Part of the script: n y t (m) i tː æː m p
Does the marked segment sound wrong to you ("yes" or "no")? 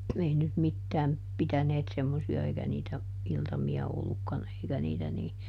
no